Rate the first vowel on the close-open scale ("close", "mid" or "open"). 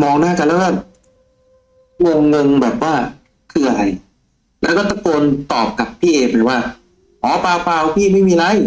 mid